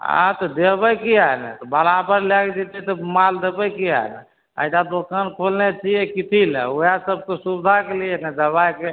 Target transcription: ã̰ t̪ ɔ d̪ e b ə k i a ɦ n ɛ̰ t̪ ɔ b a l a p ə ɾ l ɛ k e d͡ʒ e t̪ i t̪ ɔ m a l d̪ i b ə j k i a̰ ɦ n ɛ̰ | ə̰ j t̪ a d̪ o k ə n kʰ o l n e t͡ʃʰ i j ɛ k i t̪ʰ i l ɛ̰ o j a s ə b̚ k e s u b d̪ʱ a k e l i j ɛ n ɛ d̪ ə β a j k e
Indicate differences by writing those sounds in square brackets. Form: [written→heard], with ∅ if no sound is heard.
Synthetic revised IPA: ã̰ t̪ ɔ d̪ e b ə k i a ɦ n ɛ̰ t̪ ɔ b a l a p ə ɾ l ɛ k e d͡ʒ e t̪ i t̪ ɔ m a l d̪ [i→e] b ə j k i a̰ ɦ n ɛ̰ | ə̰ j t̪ a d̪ o k ə n kʰ o l n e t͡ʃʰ i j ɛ k i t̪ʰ i l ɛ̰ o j a s ə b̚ k e s u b d̪ʱ a k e l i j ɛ n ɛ d̪ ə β a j k e